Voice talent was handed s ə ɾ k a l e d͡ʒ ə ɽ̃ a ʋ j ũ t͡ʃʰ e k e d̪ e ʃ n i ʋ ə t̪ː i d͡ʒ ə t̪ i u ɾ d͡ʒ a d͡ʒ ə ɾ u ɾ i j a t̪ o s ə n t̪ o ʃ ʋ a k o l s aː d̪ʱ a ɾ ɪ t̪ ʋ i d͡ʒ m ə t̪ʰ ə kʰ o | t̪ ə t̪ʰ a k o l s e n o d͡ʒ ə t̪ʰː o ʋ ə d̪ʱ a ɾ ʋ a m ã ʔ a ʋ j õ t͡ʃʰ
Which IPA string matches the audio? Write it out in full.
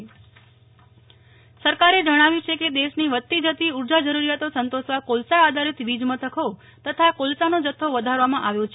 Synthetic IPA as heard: s ə ɾ k a ɾ e d͡ʒ ə ɽ̃ a ʋ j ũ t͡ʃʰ e k e d̪ e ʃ n i ʋ ə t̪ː i d͡ʒ ə t̪ i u ɾ d͡ʒ a d͡ʒ ə ɾ u ɾ i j a t̪ o s ə n t̪ o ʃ ʋ a k o l s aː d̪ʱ a ɾ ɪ t̪ ʋ i d͡ʒ m ə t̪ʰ ə kʰ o | t̪ ə t̪ʰ a k o l s a n o d͡ʒ ə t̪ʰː o ʋ ə d̪ʱ a ɾ ʋ a m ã ʔ a ʋ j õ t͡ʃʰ